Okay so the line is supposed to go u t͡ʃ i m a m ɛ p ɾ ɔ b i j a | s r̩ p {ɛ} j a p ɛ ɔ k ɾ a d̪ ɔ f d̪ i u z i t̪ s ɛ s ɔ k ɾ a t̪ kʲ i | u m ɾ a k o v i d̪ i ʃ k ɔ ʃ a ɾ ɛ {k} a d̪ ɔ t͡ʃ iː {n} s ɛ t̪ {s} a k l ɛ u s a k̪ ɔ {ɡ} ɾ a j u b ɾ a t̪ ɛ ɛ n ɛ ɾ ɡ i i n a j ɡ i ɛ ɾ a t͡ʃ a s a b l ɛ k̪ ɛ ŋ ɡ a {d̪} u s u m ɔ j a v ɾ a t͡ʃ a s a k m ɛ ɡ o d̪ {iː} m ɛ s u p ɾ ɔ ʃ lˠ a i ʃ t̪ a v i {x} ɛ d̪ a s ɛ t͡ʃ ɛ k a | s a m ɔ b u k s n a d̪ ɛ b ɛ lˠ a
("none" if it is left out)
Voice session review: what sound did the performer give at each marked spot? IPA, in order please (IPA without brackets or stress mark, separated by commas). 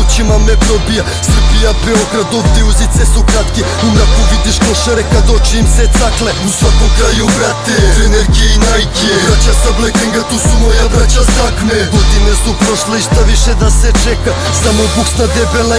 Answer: i, k, m, s, k, t̪, i, ʃ